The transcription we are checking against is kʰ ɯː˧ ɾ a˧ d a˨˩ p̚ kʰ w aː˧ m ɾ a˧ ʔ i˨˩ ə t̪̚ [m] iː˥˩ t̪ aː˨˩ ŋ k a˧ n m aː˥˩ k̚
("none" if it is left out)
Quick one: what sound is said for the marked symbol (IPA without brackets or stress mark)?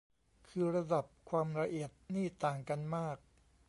n